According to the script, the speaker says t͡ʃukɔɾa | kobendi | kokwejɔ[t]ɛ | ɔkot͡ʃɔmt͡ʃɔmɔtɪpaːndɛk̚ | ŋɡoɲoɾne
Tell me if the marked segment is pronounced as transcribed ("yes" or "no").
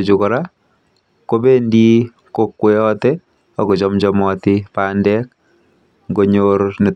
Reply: yes